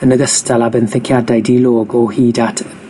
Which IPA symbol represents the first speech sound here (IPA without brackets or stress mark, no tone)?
ə